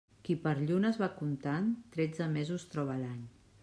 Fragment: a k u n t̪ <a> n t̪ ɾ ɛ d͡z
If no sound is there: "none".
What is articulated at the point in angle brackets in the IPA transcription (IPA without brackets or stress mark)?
a